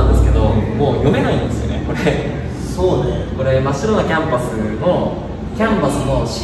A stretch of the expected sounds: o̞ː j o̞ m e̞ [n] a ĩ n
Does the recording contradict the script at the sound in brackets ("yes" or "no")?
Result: no